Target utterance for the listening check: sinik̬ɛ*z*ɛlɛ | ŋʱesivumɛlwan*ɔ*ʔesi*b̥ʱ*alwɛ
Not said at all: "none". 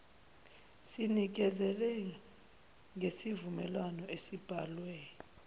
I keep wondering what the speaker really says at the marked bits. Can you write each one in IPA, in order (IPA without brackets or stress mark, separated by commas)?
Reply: z, ɔ, b̥ʱ